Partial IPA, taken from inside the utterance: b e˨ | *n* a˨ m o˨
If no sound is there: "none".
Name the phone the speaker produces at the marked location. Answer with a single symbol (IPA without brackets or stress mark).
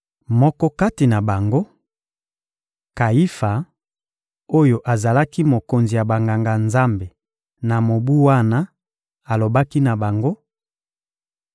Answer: n